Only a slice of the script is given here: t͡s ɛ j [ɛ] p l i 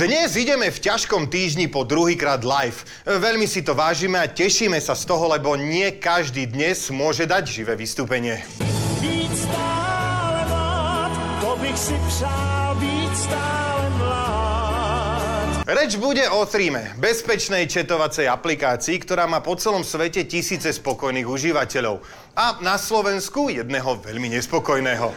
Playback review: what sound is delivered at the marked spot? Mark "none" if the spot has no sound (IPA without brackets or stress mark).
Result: a